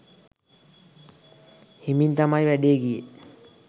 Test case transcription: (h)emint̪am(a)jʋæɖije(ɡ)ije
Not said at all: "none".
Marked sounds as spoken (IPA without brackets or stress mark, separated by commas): h, a, ɡ